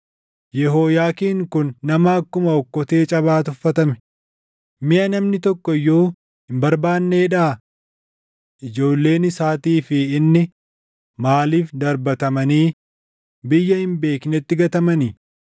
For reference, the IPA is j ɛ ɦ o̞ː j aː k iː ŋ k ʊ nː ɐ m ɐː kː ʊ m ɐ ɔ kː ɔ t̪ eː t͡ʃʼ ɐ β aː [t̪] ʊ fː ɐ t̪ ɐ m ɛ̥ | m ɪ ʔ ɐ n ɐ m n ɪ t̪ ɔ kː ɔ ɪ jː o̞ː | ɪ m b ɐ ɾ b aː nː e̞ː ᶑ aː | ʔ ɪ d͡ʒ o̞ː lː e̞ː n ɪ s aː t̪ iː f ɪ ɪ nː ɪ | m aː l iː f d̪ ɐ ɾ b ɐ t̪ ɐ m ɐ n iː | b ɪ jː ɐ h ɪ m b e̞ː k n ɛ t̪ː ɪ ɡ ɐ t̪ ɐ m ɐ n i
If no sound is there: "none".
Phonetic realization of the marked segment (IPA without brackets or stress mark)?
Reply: t̪